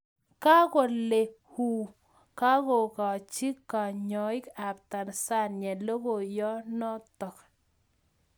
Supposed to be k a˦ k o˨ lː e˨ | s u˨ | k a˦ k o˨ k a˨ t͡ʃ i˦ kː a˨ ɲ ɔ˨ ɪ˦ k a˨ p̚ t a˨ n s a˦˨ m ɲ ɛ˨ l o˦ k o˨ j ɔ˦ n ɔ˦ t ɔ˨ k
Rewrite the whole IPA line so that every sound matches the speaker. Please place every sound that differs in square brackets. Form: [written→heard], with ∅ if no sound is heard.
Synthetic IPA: k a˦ k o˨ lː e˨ | [s→h] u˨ | k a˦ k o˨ k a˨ t͡ʃ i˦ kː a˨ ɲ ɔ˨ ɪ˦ k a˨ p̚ t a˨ n s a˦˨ [m→n] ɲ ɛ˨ l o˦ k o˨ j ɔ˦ n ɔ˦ t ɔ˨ k